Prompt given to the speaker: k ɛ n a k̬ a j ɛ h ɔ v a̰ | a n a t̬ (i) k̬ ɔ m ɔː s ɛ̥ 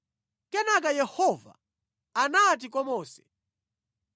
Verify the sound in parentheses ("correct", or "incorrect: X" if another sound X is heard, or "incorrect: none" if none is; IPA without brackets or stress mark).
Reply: correct